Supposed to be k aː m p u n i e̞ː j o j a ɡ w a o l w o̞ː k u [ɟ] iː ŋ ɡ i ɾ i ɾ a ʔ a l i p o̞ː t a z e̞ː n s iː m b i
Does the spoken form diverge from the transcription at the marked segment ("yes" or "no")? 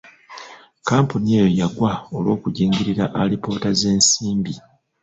no